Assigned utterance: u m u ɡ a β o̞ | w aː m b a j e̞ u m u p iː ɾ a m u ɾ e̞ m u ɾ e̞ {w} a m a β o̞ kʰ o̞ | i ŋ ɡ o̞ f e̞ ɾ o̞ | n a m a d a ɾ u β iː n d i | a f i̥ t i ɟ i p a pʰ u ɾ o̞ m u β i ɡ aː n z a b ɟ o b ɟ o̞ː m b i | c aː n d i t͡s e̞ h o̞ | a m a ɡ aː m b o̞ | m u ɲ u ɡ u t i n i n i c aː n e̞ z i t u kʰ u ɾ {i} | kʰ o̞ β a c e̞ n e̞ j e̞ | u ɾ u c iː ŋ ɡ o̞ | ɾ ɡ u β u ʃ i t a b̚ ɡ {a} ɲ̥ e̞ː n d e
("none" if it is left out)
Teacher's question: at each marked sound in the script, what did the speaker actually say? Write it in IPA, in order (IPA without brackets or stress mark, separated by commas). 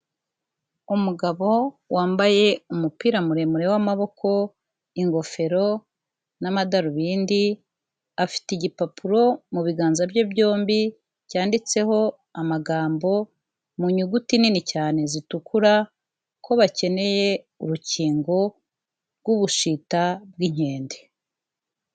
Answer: w, a, i